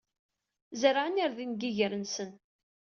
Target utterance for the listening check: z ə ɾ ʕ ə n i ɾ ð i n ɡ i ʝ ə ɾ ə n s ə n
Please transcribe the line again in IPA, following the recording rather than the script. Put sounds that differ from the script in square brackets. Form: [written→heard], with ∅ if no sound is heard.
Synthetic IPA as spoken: z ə ɾ ʕ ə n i ɾ ð i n ɡ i ʝ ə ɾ ə n s ə n